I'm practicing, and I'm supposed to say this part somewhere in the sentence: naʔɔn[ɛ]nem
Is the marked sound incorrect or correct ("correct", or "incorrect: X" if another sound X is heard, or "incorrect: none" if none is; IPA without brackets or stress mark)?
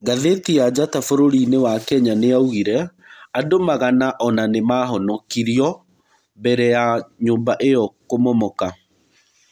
incorrect: a